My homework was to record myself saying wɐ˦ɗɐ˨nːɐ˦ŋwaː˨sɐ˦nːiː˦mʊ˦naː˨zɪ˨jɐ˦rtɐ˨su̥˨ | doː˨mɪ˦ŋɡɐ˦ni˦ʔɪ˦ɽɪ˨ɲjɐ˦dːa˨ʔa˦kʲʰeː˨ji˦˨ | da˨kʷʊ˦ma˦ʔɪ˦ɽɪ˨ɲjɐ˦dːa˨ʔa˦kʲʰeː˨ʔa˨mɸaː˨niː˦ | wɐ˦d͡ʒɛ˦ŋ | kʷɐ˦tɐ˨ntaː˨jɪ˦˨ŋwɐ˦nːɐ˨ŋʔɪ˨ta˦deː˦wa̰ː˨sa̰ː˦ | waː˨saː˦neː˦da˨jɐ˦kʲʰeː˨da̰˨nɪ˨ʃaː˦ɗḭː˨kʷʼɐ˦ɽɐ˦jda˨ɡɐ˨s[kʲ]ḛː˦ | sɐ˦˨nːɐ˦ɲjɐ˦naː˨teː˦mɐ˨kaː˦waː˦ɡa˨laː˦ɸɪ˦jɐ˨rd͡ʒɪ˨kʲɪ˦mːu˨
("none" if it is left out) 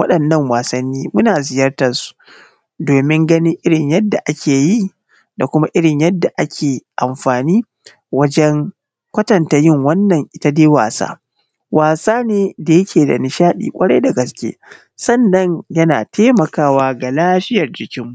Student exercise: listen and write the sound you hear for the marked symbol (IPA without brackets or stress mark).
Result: kʲ